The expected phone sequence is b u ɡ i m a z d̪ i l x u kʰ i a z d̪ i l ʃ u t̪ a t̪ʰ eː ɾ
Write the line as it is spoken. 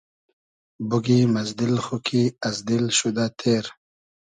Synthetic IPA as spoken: b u ɡ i m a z d̪ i l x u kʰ i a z d̪ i l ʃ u d̪ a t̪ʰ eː ɾ